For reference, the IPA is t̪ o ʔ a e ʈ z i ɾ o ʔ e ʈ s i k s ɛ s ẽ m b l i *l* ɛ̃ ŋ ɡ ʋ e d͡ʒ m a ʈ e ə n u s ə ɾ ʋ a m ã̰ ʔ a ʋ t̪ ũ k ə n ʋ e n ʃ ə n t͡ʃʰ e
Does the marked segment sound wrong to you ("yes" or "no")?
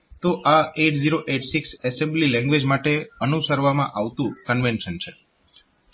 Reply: no